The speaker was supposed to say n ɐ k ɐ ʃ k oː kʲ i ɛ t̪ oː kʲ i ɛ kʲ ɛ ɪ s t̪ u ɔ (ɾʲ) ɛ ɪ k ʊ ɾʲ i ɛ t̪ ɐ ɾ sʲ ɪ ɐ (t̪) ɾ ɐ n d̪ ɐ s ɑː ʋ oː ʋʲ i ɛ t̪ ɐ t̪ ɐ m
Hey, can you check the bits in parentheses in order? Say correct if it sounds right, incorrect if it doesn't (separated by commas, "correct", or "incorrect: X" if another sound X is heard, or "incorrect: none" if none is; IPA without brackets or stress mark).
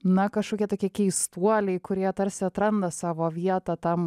incorrect: lʲ, correct